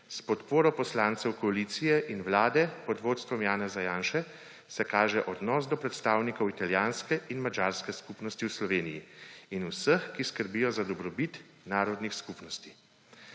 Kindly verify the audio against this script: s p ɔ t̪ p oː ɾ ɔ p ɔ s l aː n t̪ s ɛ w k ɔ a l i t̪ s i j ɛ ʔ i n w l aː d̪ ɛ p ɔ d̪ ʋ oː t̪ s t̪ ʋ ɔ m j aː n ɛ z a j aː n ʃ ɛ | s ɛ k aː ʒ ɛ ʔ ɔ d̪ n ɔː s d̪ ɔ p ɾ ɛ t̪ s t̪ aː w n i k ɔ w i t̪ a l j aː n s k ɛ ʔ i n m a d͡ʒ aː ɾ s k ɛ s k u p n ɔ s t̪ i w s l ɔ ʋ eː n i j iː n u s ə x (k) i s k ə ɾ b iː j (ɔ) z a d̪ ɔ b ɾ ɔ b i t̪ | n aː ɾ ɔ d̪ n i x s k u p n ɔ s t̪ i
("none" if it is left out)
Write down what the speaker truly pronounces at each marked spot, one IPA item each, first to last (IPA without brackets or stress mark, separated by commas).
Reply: k, ɔ